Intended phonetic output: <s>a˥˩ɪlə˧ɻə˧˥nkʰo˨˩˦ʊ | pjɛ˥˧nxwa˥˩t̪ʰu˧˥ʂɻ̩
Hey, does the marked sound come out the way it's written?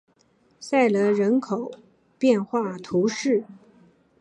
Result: yes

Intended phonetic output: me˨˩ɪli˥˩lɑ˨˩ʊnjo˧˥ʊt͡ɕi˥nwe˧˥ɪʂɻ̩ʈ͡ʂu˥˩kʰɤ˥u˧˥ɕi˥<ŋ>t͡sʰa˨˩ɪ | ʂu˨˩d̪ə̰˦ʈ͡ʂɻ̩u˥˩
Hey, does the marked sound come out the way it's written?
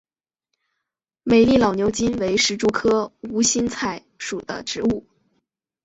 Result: no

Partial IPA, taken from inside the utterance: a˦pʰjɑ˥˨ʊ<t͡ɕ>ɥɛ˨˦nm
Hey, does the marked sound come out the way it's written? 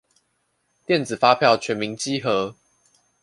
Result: no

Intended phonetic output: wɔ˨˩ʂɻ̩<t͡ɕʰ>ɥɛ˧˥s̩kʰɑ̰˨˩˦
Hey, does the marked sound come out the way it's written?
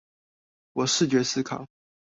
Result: no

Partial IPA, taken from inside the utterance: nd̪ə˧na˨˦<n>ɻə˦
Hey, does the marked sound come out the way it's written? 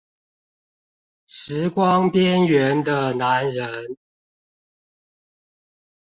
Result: yes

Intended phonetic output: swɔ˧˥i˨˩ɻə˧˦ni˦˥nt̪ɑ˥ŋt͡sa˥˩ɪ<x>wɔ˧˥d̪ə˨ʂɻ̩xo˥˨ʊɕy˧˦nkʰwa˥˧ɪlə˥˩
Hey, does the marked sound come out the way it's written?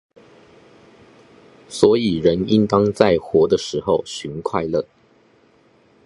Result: yes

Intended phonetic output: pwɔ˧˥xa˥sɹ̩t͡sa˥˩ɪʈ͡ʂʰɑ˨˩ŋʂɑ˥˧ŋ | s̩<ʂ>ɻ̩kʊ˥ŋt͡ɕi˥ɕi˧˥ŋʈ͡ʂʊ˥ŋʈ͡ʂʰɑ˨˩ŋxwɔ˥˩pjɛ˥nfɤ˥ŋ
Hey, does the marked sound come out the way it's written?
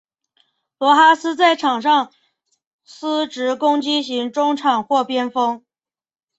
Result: no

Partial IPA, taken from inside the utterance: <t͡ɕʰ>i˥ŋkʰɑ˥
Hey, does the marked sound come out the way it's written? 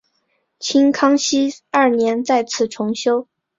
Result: yes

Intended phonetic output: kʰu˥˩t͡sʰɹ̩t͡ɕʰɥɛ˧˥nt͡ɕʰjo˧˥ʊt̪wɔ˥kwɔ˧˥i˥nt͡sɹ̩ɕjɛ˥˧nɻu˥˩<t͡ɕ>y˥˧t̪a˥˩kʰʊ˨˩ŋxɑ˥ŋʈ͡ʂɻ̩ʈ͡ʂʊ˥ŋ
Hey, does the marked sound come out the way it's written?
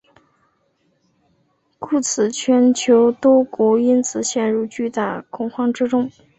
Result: yes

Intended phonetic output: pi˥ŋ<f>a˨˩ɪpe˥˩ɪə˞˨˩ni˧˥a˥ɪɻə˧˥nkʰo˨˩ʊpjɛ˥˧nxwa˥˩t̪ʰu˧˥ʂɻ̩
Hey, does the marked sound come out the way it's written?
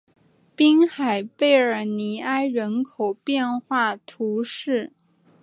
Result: no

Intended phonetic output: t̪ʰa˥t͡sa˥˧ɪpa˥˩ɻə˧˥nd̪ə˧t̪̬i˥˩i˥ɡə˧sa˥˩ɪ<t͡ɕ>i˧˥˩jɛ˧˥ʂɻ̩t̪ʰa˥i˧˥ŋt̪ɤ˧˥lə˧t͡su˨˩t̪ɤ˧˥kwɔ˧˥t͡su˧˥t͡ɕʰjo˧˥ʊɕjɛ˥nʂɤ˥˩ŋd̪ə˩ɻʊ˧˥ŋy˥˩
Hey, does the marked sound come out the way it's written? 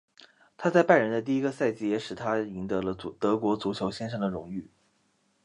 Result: yes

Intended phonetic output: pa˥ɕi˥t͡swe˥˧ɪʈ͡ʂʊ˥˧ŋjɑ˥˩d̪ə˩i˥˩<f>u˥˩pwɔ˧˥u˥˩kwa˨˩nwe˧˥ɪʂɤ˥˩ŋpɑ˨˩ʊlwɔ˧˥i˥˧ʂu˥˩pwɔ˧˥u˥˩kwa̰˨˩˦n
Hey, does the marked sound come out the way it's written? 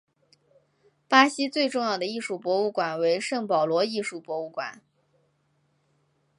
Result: no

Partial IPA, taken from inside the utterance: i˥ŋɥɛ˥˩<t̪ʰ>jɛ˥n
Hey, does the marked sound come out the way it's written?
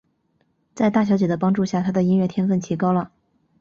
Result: yes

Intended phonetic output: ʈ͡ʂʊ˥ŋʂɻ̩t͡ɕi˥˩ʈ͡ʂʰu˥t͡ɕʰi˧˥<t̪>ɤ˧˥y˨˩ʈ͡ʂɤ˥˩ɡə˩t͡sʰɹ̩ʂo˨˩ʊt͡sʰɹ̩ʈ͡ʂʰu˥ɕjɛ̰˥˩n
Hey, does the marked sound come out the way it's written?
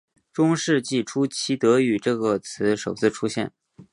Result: yes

